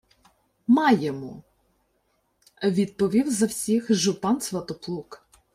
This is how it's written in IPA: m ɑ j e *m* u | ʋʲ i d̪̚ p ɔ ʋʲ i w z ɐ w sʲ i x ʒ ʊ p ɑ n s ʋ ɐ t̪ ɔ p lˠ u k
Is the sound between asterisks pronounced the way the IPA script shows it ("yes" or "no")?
yes